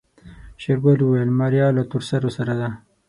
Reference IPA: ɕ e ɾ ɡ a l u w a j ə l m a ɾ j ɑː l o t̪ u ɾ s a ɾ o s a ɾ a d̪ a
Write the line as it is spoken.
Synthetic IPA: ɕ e ɾ ɡ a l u w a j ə l m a ɾ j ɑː l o t̪ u ɾ s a ɾ o s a ɾ a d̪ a